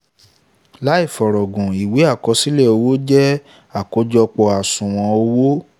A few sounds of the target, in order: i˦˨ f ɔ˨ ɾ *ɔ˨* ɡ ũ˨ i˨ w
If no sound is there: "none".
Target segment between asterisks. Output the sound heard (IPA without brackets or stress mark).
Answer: ɔ˨